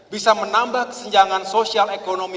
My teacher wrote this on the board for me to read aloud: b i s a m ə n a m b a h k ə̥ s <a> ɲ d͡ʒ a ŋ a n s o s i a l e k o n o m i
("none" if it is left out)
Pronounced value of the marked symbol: ə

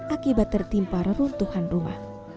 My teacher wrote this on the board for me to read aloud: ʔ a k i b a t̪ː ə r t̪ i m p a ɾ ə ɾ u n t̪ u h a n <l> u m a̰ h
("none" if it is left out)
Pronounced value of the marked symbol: r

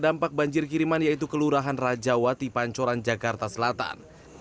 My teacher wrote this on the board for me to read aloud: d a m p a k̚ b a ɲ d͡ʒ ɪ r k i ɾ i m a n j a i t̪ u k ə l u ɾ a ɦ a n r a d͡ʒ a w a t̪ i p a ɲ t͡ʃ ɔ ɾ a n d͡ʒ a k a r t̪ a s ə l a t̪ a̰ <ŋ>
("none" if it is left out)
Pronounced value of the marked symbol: n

